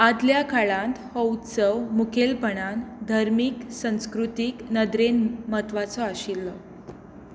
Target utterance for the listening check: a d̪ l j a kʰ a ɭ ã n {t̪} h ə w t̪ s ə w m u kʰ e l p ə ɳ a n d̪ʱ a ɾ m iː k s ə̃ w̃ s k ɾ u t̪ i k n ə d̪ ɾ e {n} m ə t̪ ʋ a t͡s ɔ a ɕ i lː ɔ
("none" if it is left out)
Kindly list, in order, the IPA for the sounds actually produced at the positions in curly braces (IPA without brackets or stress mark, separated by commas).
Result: t̪, n